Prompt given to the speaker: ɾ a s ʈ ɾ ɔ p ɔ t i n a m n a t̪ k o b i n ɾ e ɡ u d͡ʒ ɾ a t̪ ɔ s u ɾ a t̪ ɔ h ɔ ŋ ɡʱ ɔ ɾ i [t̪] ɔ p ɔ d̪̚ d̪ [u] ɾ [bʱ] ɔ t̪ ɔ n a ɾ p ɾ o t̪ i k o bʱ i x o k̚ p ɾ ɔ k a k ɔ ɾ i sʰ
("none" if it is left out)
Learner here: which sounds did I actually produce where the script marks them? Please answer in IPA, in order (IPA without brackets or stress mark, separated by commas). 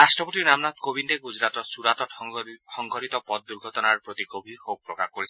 t̪, u, ɡʱ